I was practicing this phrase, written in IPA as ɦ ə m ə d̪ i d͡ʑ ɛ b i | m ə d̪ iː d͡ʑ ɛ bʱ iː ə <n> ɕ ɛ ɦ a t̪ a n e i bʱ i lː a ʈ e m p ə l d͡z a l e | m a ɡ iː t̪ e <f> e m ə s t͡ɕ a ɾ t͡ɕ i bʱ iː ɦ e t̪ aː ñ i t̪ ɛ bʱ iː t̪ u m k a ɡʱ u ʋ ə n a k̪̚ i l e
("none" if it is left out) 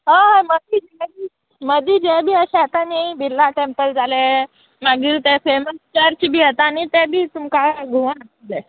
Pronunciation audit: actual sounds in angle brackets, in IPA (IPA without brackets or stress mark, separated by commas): none, f